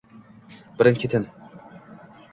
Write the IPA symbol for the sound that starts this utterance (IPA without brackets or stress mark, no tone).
b